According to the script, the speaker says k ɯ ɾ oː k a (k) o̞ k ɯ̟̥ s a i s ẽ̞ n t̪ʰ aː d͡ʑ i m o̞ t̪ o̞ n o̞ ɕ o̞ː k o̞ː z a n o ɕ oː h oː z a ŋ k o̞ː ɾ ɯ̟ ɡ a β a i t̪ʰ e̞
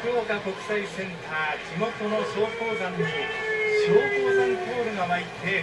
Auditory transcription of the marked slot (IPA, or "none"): k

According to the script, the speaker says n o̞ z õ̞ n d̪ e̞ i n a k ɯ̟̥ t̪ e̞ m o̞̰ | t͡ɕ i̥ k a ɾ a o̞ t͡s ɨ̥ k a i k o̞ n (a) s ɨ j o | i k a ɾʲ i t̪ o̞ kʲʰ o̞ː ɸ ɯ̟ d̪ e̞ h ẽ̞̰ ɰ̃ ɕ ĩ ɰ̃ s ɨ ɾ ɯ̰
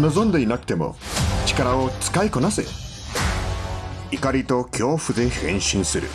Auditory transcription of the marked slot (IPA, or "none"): a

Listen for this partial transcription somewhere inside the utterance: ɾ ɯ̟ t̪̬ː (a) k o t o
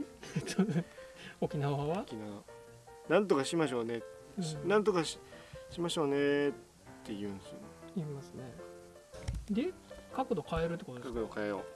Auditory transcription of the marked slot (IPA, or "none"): e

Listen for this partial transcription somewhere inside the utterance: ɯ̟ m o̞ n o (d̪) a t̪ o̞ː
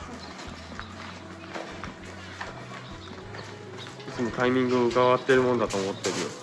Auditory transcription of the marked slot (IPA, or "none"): d̪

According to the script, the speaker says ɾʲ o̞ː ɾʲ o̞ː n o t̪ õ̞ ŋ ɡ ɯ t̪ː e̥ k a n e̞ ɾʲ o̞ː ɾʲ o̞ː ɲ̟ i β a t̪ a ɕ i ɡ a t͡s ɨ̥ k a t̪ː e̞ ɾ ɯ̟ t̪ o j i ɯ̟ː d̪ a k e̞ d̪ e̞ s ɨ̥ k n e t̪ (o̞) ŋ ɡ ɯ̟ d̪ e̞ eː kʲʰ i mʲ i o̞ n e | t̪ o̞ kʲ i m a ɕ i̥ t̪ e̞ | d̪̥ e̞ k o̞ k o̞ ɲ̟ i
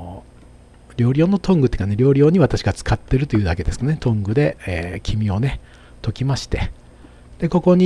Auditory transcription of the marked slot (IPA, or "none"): õ̞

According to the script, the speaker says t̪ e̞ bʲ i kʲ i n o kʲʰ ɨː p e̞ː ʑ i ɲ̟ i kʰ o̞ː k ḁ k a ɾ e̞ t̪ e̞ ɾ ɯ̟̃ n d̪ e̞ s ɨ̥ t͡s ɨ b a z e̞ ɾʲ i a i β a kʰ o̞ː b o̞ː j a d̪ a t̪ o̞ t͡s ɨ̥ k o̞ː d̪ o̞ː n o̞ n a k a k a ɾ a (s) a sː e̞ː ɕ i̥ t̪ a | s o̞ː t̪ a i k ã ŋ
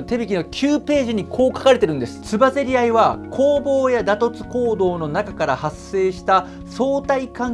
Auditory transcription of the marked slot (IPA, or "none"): h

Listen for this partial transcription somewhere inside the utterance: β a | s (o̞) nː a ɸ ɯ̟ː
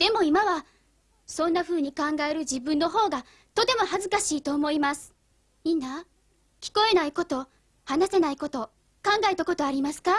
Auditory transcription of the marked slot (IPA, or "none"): õ̞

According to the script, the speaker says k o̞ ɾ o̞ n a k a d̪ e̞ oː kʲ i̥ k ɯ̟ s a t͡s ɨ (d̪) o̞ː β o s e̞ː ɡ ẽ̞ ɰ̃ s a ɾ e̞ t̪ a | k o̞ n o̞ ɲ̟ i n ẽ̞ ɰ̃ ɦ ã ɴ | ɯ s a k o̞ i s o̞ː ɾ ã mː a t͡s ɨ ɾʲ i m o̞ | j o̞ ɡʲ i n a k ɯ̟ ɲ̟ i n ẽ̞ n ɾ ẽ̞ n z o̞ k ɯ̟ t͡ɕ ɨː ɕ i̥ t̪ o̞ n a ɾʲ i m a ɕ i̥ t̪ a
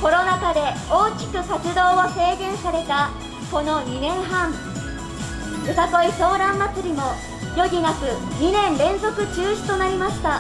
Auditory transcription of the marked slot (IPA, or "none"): d̪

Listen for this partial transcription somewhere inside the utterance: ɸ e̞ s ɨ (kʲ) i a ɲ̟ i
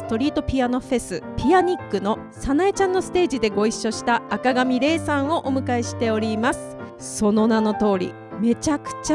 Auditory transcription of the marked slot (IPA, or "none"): pʲ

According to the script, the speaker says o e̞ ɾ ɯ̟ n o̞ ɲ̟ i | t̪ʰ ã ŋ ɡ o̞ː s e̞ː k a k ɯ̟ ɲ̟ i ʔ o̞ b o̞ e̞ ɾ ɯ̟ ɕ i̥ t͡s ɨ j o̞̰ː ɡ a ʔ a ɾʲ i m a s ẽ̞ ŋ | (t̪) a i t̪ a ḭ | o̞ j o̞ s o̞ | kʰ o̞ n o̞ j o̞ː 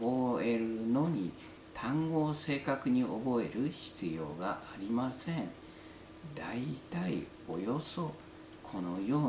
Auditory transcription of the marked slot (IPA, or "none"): d̪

